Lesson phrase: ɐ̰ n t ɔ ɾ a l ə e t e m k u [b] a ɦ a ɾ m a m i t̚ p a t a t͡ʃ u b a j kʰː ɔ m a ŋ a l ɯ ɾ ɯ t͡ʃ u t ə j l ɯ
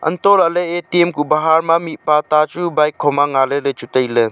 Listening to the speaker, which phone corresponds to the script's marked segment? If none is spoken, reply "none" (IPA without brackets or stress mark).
b